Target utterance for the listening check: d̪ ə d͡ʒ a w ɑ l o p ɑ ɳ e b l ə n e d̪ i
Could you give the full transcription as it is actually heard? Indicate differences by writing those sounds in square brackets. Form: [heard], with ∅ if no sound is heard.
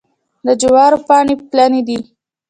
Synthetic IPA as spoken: d̪ ə d͡ʒ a w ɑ [ɾ] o p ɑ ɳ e [p] l [a] n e d̪ i